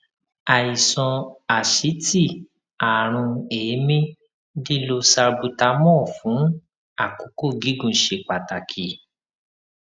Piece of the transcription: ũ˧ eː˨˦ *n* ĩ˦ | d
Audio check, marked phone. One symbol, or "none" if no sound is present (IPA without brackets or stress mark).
m